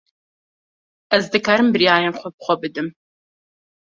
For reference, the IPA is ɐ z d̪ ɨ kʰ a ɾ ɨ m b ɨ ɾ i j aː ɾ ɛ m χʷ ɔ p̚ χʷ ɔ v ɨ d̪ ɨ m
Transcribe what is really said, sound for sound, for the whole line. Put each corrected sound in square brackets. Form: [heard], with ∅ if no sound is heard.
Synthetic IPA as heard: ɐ z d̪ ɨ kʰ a ɾ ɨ m b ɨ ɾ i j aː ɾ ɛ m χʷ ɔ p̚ χʷ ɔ [b] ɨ d̪ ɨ m